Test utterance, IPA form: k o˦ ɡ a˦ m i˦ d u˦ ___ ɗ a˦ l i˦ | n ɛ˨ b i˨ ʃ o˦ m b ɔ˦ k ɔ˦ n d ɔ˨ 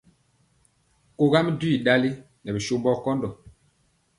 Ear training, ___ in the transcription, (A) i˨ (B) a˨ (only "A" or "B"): A